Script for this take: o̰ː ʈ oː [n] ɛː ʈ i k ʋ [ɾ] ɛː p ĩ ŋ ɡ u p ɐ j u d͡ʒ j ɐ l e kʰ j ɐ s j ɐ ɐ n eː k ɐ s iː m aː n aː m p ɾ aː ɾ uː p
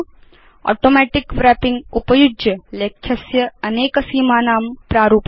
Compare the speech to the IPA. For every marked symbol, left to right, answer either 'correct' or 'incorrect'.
incorrect: m, correct

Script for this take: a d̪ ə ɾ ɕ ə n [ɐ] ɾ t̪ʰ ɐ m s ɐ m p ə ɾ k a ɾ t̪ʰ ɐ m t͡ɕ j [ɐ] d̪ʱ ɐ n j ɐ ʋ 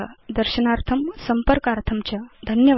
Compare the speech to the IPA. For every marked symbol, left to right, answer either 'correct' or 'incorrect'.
incorrect: a, incorrect: a

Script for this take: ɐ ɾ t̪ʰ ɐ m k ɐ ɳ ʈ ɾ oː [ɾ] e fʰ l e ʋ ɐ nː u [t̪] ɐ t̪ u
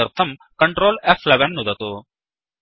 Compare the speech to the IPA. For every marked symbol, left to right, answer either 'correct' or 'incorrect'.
incorrect: l, incorrect: d̪

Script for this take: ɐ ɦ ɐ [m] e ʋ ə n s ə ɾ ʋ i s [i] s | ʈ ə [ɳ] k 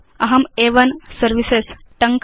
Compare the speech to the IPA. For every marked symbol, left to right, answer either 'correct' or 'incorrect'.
correct, incorrect: e, incorrect: ŋ

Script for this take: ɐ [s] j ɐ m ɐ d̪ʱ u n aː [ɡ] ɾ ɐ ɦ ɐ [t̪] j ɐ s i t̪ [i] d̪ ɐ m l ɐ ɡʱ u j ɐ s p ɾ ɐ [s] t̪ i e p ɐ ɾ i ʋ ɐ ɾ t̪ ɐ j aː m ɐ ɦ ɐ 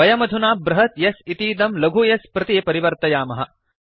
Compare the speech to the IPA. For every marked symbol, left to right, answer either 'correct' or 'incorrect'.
incorrect: none, incorrect: b, correct, incorrect: iː, incorrect: none

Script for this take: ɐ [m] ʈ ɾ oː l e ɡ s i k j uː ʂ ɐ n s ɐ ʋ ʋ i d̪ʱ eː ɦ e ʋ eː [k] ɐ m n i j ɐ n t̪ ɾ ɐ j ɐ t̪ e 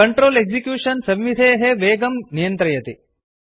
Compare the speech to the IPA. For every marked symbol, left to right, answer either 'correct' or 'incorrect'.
incorrect: ɳ, incorrect: ɡ

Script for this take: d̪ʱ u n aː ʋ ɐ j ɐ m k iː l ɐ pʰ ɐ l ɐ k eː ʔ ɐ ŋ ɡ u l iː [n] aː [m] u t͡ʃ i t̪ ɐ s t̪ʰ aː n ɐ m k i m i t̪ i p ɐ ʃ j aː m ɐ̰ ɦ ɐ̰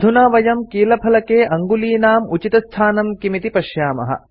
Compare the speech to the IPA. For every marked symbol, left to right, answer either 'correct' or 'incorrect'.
correct, correct

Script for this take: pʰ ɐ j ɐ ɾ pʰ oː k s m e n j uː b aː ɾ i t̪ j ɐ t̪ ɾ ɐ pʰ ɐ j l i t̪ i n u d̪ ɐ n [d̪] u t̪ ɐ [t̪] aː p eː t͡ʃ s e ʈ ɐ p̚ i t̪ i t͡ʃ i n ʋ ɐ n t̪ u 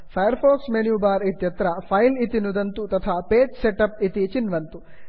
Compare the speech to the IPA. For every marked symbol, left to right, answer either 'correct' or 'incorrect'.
incorrect: t̪, incorrect: t̪ʰ

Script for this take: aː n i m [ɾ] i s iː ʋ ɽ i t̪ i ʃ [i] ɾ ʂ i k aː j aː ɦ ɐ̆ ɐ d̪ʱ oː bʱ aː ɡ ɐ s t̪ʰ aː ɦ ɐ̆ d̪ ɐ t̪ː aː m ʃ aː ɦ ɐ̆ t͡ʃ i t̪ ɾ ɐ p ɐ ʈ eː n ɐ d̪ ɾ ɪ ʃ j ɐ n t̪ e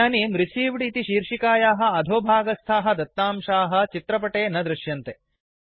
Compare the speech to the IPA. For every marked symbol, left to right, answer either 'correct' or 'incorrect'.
correct, incorrect: iː

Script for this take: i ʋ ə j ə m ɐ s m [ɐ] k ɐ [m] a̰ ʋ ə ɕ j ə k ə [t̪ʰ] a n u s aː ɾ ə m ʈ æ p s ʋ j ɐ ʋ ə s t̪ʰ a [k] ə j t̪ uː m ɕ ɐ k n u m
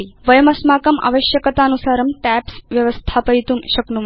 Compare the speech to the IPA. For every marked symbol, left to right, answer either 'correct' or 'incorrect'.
incorrect: a, correct, incorrect: t̪, incorrect: p

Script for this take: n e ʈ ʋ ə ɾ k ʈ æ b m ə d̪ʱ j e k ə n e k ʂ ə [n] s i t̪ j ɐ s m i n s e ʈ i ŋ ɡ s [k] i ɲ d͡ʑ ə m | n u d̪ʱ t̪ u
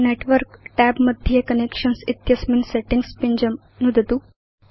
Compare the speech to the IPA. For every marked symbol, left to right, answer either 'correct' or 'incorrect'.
correct, incorrect: p

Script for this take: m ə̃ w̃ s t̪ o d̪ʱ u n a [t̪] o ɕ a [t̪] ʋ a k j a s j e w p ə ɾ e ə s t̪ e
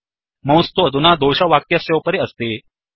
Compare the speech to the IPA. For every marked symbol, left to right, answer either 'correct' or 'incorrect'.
incorrect: d̪, incorrect: none

